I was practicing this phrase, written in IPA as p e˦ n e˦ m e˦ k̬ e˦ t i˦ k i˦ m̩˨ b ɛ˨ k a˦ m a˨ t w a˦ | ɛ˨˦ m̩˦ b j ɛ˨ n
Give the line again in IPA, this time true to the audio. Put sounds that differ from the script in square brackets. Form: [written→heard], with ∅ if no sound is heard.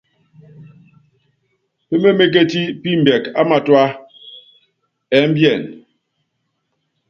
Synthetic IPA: p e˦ [n→m] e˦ m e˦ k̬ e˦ t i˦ [k→p] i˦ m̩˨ b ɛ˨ k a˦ m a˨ t w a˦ | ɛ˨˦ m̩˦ b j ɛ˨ n